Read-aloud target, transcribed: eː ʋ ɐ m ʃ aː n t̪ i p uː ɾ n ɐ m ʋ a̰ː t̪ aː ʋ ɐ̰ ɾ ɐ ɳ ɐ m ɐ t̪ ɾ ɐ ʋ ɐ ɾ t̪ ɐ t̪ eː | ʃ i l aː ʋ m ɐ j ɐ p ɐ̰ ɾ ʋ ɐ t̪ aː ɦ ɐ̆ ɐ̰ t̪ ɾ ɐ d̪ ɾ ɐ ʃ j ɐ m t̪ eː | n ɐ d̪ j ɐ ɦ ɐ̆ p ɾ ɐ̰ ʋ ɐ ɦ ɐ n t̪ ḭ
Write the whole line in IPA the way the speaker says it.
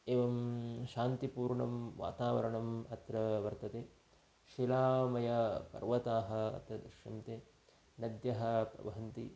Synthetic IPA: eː ʋ ɐ m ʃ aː n t̪ i p uː ɾ ɳ ɐ m ʋ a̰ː t̪ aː ʋ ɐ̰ ɾ ɐ ɳ ɐ m ɐ t̪ ɾ ɐ ʋ ɐ ɾ t̪ ɐ t̪ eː | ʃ i l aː m ɐ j ɐ p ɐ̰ ɾ ʋ ɐ t̪ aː ɦ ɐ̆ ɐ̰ t̪ ɾ ɐ d̪ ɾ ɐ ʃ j ɐ m t̪ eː | n ɐ d̪ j ɐ ɦ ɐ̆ p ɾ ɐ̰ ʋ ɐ ɦ ɐ n t̪ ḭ